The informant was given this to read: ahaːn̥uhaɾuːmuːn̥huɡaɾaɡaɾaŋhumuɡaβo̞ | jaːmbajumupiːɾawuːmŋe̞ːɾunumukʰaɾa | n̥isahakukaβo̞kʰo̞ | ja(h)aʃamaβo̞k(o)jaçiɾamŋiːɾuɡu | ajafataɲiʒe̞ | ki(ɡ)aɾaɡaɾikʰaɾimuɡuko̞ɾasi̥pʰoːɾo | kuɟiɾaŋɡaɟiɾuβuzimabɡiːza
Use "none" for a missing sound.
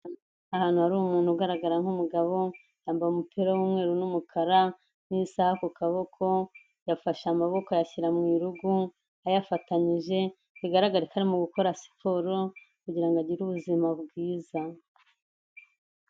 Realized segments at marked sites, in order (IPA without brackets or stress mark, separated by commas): f, o, ɡ